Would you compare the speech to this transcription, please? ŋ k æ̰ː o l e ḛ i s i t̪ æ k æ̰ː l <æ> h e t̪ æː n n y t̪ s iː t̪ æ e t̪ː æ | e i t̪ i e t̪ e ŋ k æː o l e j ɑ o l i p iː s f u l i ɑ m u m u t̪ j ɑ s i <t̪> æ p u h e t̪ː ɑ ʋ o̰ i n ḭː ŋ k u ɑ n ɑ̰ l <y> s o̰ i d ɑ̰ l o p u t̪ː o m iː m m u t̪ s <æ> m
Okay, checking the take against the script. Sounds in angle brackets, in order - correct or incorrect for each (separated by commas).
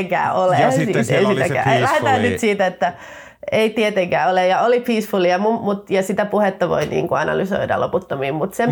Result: correct, correct, correct, incorrect